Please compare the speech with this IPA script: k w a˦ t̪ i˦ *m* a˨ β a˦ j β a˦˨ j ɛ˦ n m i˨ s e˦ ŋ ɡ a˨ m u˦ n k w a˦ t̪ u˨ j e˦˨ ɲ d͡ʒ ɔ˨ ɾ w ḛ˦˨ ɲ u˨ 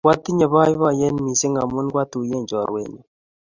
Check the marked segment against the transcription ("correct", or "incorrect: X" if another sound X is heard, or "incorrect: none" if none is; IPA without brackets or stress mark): incorrect: ɲ